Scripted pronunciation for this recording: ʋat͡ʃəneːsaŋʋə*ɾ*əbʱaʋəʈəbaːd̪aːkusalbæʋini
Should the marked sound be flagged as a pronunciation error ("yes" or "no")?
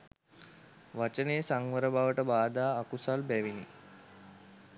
no